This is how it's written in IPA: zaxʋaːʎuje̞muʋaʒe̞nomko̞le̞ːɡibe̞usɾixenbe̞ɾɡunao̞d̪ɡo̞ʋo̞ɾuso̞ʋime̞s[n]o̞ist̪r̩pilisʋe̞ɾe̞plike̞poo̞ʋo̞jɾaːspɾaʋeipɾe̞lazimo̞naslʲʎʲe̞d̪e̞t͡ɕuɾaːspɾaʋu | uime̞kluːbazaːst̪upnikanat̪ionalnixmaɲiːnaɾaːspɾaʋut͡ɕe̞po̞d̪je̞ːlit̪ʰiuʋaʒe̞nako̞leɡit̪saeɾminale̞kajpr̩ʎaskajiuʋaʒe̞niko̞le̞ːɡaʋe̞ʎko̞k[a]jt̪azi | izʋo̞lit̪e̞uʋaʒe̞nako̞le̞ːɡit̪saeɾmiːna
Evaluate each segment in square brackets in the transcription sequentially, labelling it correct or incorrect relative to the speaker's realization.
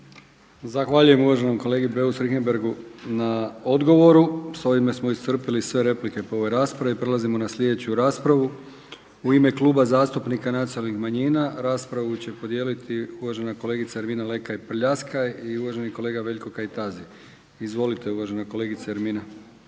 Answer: incorrect: m, correct

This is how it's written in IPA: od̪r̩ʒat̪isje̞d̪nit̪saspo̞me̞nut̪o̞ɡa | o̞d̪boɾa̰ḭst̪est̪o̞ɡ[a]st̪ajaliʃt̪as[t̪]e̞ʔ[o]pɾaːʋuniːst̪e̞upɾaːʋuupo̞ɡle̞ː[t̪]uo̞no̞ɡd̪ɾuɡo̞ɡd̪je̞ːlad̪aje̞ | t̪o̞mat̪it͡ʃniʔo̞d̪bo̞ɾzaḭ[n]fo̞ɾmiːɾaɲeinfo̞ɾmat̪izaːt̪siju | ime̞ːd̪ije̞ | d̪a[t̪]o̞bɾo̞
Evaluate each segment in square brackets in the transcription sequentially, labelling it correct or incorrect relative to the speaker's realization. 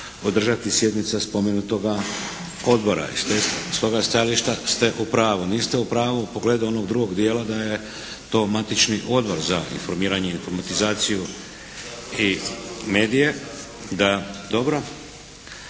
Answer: correct, correct, incorrect: u, incorrect: d̪, correct, incorrect: d̪

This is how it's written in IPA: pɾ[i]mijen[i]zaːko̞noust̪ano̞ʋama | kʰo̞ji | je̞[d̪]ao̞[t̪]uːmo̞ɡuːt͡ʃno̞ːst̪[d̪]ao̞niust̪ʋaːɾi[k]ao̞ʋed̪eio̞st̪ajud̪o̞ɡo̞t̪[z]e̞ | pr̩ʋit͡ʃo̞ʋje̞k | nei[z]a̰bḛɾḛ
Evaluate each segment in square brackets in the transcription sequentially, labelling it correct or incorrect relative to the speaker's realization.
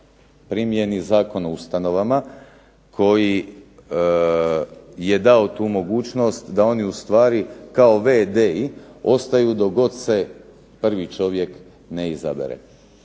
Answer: correct, correct, correct, correct, correct, correct, incorrect: s, correct

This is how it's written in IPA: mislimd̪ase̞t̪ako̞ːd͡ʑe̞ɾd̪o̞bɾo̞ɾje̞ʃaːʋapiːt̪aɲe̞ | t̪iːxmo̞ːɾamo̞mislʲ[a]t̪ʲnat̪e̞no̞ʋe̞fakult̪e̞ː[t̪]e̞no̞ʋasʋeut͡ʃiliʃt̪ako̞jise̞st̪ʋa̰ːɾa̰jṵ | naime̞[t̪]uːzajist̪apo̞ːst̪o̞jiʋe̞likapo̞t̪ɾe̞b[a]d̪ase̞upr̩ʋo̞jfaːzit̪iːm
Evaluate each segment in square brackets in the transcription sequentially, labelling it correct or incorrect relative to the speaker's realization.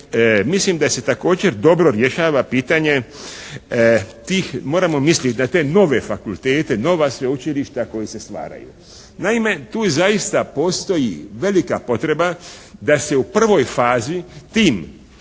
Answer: incorrect: i, correct, correct, correct

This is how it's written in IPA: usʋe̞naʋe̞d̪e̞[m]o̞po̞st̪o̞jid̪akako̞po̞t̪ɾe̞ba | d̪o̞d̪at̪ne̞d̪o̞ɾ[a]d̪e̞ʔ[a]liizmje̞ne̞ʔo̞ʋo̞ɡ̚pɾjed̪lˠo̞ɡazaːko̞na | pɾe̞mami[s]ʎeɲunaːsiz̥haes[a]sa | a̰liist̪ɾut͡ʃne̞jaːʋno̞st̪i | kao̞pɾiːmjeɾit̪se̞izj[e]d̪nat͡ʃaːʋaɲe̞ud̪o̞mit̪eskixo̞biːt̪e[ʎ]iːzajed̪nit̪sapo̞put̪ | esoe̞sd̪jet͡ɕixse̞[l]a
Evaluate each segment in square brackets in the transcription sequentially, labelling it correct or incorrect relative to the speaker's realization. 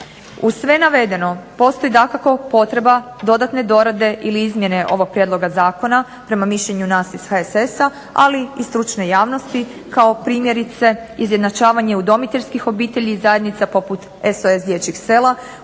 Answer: incorrect: n, correct, incorrect: i, incorrect: ʃ, incorrect: e, correct, correct, correct

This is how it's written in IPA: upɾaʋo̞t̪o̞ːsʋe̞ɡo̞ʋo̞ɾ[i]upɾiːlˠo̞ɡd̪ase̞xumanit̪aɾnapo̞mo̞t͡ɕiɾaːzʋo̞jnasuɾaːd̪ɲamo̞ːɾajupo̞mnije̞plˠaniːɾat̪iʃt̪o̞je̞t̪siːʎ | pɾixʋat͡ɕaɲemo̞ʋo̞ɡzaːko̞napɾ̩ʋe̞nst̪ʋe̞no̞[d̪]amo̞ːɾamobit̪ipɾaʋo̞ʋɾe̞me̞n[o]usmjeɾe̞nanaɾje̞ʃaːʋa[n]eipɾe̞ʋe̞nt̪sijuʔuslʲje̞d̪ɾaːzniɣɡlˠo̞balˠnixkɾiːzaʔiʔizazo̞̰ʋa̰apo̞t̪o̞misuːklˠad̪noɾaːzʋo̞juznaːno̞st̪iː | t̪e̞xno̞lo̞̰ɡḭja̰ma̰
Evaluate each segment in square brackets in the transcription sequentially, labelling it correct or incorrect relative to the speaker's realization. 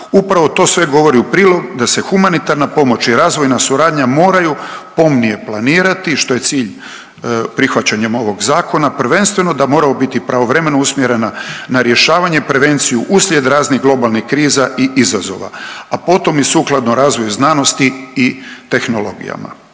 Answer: correct, correct, correct, incorrect: ɲ

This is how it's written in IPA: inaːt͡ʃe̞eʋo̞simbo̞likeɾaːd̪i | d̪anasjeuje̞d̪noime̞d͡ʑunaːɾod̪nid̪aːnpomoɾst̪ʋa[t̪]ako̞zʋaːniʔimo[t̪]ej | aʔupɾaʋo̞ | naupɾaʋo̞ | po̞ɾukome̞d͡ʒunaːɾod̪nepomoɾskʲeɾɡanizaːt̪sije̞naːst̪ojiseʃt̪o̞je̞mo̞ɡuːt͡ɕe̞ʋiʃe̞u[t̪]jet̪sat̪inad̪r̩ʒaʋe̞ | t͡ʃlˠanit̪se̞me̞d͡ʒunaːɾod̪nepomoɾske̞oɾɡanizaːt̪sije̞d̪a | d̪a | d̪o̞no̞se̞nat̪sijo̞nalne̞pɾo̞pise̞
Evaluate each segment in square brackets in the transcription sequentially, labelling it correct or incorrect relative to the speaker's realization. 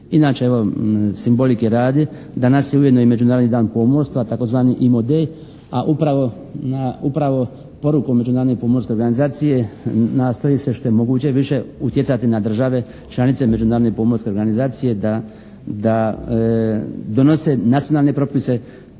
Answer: correct, incorrect: d̪, correct

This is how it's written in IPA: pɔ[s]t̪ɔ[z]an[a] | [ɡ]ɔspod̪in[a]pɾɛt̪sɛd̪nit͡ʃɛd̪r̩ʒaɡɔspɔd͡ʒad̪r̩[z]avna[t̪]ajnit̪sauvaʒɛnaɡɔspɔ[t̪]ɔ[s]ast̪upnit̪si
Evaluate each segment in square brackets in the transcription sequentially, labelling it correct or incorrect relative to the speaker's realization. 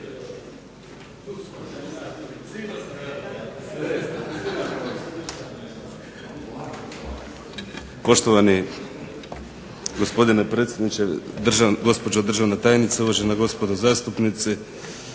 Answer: incorrect: ʃ, incorrect: v, incorrect: i, correct, incorrect: ɛ, incorrect: ʒ, correct, incorrect: d̪, incorrect: z

